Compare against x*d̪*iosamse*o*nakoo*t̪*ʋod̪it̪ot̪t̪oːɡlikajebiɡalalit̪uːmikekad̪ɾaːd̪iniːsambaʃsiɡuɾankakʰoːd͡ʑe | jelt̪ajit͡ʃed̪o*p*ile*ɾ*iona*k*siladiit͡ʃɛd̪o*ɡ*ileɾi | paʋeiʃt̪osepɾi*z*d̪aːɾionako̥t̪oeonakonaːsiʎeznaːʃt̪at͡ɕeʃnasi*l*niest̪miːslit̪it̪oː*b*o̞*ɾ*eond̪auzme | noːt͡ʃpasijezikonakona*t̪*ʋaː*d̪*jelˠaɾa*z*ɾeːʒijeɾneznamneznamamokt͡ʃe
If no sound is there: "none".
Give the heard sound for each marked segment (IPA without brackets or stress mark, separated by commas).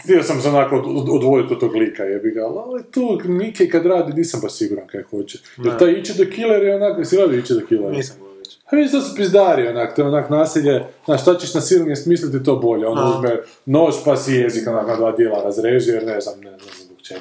t̪, o, d̪, k, ɾ, k, k, z, l, b, ʎ, d̪, d̪, z